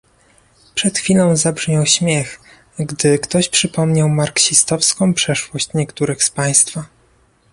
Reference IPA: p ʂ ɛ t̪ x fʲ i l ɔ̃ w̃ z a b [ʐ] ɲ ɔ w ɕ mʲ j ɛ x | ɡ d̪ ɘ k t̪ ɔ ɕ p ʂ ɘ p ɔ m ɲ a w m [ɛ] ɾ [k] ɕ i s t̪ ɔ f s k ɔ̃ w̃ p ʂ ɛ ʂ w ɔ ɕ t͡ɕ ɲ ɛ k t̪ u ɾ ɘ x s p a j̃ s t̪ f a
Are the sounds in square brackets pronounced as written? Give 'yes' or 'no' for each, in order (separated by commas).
yes, no, yes